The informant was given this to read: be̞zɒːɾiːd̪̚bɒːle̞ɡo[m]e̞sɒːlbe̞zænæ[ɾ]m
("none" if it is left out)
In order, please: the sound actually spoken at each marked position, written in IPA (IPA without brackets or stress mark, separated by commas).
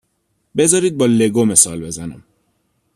m, none